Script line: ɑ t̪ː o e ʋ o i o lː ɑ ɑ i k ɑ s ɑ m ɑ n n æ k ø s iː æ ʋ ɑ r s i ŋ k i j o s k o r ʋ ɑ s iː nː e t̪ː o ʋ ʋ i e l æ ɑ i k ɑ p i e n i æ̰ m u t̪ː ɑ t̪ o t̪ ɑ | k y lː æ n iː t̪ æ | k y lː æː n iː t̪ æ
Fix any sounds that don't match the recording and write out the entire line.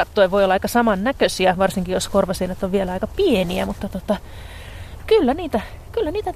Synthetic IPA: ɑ t̪ː o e ʋ o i o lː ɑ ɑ i k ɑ s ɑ m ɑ n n æ k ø s i æ ʋ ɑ r s i ŋ k i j o s k o r ʋ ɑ s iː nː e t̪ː o ʋ ʋ i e l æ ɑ i k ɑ p i e n i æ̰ m u t̪ː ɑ t̪ o t̪ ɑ | k y lː æ n iː t̪ æ | k y lː æ n iː t̪ æ